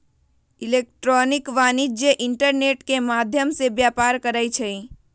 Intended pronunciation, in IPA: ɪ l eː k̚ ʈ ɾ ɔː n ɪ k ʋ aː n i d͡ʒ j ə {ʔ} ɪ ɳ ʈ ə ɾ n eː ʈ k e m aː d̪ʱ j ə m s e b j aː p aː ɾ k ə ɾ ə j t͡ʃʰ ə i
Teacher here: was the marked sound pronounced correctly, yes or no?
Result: yes